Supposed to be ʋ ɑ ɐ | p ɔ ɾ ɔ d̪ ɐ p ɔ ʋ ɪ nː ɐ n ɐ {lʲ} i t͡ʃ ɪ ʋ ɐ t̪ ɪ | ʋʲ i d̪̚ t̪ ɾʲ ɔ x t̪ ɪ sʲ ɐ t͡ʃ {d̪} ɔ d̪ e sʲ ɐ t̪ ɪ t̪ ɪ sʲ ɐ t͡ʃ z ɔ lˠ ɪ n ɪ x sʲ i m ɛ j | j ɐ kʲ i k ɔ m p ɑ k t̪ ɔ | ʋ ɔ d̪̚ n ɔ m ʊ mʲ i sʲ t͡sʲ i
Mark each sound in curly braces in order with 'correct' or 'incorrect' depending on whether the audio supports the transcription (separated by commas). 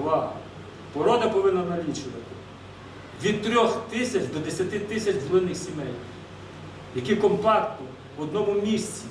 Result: correct, correct